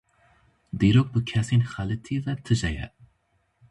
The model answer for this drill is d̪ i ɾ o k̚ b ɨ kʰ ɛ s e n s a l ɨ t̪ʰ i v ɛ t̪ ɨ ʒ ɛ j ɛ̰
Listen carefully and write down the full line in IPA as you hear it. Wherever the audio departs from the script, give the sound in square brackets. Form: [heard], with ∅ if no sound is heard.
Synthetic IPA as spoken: d̪ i ɾ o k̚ b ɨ kʰ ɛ s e n [x] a l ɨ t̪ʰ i v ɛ [t̪ʰ] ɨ ʒ ɛ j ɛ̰